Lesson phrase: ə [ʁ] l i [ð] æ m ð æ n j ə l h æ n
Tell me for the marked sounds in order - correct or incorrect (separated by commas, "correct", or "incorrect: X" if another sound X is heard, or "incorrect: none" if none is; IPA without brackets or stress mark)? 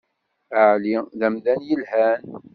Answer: incorrect: ʕ, correct